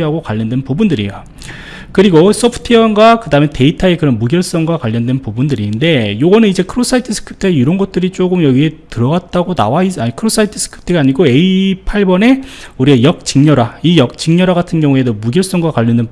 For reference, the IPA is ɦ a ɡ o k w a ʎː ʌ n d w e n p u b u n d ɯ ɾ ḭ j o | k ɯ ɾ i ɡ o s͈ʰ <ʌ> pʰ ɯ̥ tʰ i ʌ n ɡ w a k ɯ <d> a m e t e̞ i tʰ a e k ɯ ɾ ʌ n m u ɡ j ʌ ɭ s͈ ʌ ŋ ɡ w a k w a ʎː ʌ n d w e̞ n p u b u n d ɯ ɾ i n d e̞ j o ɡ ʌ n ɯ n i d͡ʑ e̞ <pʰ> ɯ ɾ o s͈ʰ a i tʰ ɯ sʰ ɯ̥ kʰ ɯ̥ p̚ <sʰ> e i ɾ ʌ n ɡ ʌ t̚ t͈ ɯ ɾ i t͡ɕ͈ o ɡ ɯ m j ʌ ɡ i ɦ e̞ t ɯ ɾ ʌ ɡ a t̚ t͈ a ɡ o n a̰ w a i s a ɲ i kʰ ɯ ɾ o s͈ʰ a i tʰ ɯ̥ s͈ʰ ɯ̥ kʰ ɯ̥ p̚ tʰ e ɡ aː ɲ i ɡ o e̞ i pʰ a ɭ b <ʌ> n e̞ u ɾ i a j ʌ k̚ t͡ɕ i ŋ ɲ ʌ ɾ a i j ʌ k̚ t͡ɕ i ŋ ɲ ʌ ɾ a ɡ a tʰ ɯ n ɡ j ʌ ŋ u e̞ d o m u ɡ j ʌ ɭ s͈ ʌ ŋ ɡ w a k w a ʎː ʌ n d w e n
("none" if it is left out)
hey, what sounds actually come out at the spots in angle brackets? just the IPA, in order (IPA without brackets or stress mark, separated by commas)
ʌ, d, kʰ, tʰ, ʌ